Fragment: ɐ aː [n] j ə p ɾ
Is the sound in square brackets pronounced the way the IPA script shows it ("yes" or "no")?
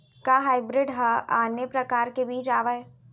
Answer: yes